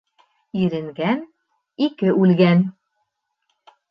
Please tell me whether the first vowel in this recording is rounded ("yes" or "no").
no